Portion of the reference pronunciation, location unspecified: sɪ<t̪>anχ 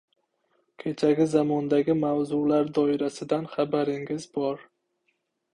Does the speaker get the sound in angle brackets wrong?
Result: yes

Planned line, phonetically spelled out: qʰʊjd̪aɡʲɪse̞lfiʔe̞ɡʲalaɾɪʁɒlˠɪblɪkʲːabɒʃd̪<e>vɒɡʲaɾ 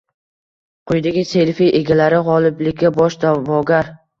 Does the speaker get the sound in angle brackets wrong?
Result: yes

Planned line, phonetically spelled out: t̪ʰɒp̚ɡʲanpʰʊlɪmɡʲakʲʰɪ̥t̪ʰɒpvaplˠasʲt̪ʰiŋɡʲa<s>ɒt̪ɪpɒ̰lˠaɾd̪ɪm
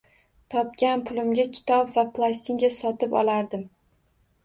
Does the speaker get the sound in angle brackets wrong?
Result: no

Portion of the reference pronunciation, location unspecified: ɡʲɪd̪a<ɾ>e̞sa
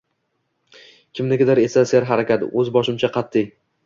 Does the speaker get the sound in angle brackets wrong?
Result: no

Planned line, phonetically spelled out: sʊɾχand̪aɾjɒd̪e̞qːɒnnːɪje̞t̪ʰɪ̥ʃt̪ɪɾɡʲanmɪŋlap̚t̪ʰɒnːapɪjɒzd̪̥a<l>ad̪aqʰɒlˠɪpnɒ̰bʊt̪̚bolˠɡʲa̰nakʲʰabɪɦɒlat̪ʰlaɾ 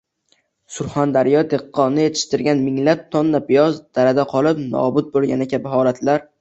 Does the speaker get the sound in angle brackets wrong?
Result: yes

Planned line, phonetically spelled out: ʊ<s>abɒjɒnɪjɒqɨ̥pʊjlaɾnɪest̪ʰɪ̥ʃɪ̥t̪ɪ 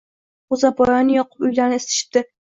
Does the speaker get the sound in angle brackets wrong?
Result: yes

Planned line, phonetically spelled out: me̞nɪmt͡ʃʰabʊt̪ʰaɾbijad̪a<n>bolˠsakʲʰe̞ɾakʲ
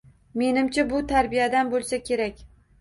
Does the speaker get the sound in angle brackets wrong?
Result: no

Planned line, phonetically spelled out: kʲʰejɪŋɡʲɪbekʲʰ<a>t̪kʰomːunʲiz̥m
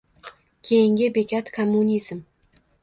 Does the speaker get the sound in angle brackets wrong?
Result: no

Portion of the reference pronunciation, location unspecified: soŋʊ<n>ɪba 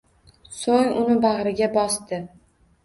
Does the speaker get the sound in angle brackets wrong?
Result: no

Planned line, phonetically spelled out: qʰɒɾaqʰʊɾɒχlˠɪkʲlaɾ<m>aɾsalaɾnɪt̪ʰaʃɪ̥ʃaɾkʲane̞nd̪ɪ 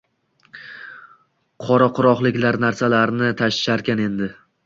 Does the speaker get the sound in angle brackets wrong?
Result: yes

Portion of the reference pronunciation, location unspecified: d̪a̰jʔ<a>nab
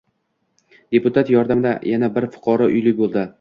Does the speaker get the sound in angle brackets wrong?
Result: no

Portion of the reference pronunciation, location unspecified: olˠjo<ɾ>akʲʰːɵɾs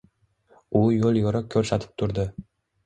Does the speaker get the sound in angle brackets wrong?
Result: no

